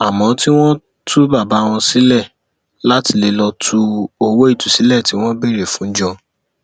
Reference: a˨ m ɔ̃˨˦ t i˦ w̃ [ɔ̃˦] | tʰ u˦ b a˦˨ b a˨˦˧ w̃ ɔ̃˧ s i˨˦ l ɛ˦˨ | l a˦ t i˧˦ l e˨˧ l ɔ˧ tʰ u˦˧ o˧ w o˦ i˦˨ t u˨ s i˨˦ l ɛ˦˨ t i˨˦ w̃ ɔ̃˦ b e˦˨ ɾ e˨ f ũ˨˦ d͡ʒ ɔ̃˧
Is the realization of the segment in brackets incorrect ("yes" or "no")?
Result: no